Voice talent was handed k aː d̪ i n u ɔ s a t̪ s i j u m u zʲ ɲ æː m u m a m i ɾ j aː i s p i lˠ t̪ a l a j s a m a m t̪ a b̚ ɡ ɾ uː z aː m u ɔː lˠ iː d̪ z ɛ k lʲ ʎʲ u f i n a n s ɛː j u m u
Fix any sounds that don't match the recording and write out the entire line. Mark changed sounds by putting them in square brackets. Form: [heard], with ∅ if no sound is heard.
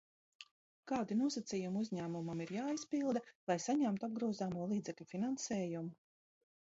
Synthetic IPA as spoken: k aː d̪ i n u ɔ s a t̪ s i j u m u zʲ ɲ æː m u m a m i ɾ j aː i s p i lˠ [d̪] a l a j s a [ɲ] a m t̪ a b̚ ɡ ɾ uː z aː m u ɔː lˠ iː d̪ z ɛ k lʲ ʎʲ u f i n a n s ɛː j u m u